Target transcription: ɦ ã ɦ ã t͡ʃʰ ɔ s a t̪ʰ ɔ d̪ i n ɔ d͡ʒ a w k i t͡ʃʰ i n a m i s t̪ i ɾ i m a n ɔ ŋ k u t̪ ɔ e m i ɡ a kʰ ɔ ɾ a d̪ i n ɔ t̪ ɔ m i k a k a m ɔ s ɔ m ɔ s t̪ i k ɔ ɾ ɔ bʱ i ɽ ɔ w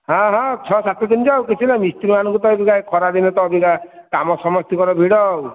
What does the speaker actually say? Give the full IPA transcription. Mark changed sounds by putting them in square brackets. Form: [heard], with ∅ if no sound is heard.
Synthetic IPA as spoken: ɦ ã ɦ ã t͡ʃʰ ɔ s a [t̪] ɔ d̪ i n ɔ d͡ʒ a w k i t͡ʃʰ i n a m i s t̪ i ɾ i m a n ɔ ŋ k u t̪ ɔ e [b] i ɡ a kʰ ɔ ɾ a d̪ i n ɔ t̪ ɔ [b] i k a k a m ɔ s ɔ m ɔ s t̪ i k ɔ ɾ ɔ bʱ i ɽ ɔ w